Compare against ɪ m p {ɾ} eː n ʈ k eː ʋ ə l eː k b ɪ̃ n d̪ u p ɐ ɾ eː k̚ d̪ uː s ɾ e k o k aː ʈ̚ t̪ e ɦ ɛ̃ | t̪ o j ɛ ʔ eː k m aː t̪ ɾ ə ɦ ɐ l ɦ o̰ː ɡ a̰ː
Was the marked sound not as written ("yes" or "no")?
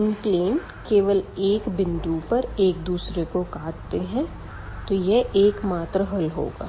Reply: yes